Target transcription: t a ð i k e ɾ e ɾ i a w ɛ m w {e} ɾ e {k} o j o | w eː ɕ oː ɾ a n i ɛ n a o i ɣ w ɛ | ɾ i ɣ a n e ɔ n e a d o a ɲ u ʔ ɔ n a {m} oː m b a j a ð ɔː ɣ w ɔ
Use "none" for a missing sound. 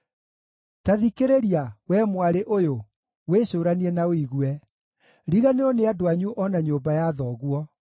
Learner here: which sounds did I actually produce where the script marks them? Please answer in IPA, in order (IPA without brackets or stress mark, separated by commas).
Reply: a, ʔ, ɲ